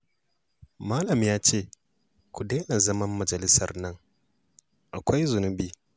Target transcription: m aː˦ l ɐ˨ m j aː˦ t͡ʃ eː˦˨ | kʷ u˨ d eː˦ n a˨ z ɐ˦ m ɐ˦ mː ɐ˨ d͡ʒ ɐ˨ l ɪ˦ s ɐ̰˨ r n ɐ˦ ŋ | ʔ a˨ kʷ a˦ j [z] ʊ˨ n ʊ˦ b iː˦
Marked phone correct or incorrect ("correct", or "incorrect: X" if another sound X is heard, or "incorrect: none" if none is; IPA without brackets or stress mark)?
correct